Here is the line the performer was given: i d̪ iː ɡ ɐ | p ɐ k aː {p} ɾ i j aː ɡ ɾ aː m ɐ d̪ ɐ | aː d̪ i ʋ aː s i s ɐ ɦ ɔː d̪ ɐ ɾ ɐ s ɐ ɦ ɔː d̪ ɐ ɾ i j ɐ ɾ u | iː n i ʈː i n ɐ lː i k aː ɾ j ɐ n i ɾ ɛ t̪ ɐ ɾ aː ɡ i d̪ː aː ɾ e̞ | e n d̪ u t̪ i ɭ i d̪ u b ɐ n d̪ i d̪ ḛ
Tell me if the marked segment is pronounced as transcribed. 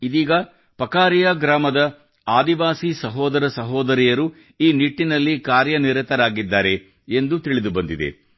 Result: no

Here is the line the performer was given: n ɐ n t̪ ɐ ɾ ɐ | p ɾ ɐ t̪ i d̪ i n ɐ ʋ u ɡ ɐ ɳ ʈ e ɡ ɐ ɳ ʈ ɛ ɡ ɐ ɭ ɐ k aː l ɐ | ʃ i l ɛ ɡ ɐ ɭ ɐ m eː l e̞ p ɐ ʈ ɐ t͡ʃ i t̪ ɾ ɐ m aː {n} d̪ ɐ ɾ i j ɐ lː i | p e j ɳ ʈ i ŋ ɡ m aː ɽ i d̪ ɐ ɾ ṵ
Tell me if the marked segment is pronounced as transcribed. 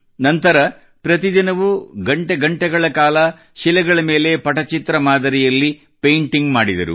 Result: no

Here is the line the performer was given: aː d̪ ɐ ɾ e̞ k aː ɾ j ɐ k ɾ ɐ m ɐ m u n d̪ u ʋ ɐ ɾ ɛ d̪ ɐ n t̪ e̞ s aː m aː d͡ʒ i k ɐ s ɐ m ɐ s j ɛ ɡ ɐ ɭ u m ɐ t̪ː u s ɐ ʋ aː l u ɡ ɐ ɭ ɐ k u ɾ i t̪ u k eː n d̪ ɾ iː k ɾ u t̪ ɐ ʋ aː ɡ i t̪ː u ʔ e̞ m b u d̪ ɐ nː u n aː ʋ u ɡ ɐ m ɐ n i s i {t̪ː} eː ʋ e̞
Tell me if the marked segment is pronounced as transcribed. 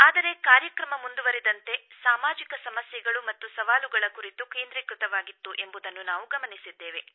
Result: no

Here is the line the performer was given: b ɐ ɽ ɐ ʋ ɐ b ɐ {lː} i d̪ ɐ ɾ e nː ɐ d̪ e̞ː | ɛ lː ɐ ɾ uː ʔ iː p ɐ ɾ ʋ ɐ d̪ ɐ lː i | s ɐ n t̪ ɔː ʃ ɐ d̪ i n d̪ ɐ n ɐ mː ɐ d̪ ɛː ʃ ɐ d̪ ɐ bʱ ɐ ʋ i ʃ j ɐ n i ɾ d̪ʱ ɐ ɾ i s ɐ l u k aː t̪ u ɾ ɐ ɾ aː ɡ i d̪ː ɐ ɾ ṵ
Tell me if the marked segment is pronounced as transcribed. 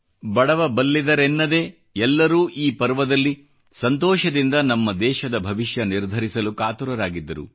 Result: yes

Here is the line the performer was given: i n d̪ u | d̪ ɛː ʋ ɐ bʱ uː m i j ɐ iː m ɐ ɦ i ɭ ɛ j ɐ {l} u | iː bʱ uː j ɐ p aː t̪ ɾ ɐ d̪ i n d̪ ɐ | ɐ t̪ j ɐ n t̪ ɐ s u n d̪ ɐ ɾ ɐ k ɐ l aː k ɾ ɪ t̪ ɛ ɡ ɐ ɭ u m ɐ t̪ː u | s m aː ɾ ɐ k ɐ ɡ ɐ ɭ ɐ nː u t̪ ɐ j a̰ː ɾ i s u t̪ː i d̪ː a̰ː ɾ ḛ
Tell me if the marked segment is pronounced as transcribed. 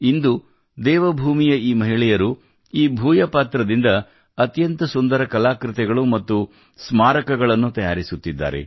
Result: no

